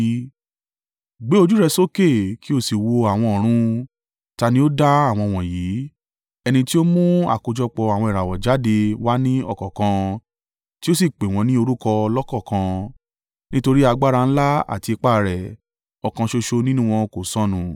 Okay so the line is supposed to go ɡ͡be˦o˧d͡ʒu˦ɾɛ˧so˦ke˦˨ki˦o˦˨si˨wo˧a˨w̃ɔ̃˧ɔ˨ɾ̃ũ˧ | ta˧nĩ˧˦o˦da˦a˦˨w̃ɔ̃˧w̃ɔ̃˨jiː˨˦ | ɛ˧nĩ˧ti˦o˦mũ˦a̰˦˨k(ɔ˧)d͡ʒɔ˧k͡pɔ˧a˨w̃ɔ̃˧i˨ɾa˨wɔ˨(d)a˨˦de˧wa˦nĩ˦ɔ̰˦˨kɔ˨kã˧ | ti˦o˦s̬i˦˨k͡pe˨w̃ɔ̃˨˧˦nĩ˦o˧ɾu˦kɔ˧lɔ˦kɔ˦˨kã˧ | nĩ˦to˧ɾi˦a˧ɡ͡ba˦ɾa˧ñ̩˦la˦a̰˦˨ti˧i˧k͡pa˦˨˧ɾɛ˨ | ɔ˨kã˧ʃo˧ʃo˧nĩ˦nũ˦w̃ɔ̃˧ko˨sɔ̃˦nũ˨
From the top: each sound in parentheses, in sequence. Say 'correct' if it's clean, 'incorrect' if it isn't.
incorrect: o˧, incorrect: d͡ʒ

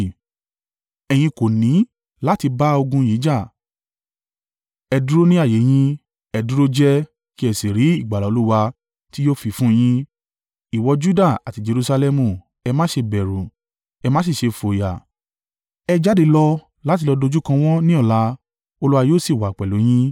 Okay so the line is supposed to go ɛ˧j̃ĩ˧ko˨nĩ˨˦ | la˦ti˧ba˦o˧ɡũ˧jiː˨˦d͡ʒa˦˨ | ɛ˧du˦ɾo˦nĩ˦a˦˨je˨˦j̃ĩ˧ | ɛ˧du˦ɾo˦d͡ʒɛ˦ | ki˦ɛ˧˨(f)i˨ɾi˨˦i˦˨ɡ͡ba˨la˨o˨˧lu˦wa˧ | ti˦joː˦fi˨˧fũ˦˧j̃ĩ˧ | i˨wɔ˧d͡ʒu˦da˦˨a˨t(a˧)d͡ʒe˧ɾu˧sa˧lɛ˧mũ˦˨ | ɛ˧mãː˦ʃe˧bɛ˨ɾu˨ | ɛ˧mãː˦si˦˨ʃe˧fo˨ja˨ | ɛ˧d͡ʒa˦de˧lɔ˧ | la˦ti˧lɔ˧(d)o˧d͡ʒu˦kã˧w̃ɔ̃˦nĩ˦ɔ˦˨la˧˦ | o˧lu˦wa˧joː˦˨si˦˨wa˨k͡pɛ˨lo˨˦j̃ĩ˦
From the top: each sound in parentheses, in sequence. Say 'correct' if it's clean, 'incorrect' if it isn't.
incorrect: s, incorrect: i˧, correct

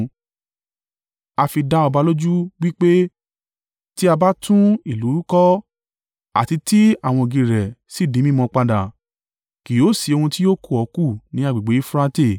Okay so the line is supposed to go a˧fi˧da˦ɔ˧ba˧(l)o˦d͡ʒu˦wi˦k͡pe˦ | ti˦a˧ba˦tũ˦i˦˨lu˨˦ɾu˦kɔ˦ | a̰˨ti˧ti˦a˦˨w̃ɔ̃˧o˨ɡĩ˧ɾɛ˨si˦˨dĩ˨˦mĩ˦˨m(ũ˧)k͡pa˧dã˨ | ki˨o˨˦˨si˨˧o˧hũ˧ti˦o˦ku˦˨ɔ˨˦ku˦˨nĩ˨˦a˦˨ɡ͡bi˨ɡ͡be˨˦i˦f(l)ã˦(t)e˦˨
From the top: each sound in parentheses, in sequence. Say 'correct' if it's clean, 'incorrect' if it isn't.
correct, incorrect: ɔ̃˧, incorrect: ɾ, correct

